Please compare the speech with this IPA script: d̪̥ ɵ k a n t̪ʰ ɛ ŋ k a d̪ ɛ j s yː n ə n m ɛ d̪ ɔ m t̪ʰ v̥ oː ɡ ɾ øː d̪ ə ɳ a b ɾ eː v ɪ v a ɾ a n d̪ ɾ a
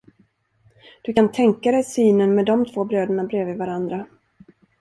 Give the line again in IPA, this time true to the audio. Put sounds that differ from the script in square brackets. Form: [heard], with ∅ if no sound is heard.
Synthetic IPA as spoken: d̪̥ ɵ k a n t̪ʰ ɛ ŋ k a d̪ ɛ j s yː n ə n m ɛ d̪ ɔ m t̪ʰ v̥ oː [b] ɾ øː d̪ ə ɳ a b ɾ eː v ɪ v a ɾ a n d̪ ɾ a